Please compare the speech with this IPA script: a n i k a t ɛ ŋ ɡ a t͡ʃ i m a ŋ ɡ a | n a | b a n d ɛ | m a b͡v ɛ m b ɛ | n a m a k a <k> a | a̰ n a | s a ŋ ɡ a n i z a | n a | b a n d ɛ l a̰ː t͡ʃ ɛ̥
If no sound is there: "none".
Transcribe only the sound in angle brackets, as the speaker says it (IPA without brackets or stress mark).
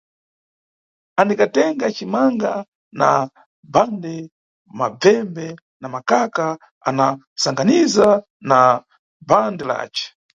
k